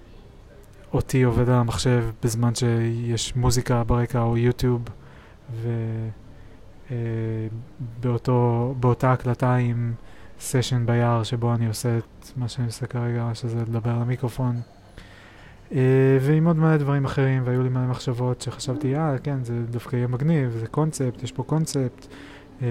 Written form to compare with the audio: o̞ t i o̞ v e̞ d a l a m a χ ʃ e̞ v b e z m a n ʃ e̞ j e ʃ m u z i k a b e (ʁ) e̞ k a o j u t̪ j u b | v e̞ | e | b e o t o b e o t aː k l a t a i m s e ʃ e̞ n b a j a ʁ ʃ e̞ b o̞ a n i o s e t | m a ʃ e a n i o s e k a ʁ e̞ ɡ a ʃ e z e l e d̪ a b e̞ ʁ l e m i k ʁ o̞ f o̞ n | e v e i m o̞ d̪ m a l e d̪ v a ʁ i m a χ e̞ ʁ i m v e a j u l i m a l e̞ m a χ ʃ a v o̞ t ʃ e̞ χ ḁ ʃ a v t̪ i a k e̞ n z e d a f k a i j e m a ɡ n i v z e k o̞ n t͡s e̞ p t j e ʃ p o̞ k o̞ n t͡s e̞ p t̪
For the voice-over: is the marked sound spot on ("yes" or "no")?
yes